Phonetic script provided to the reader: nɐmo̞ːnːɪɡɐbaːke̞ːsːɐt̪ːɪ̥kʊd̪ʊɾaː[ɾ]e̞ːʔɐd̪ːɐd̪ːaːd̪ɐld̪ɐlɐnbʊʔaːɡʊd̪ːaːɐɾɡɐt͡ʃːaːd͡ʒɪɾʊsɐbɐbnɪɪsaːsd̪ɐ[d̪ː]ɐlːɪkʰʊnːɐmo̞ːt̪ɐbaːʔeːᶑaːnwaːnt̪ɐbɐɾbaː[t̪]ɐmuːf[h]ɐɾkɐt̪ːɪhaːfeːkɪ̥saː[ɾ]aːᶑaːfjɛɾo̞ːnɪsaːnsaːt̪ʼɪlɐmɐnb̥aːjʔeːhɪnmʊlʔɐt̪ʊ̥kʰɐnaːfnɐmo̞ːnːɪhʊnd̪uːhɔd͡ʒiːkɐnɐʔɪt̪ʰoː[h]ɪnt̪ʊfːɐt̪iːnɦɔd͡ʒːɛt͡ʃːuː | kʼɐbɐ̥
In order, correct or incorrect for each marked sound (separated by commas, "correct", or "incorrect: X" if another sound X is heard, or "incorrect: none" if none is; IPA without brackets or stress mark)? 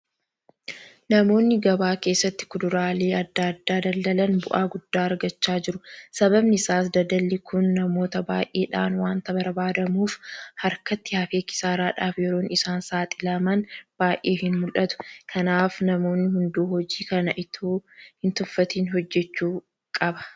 incorrect: l, incorrect: d̪, incorrect: d̪, correct, correct, correct